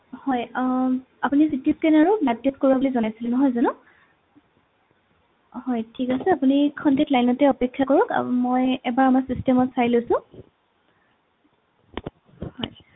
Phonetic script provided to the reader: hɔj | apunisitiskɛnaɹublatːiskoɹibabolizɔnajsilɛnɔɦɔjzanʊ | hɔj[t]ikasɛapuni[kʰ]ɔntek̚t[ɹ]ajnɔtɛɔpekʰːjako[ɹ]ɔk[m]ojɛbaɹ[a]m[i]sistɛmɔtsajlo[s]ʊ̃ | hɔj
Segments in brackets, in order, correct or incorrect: incorrect, correct, incorrect, correct, correct, correct, incorrect, correct

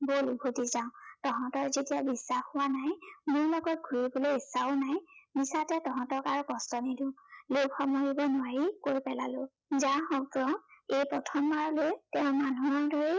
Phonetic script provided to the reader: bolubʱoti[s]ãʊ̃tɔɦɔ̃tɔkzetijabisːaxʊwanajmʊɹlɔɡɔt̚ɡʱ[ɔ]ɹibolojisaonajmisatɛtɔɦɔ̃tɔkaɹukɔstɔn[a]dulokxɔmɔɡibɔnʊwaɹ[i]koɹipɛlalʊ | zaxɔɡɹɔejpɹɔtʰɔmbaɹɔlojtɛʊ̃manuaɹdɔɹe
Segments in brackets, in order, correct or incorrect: incorrect, incorrect, incorrect, correct

